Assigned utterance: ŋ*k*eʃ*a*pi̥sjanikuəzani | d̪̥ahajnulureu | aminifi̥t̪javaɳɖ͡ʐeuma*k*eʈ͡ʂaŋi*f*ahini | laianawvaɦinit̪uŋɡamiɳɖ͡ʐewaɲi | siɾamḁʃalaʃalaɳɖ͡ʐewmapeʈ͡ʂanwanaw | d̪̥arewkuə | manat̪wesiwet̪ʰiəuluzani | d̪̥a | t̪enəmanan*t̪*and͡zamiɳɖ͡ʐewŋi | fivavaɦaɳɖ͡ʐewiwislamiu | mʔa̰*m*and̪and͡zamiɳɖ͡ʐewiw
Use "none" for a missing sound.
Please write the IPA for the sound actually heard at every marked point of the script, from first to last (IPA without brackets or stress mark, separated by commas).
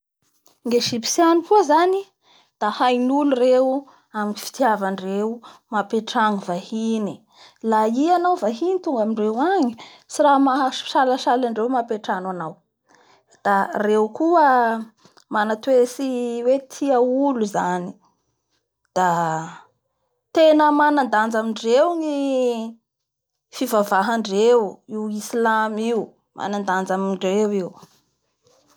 ɡ, i, p, v, d̪, n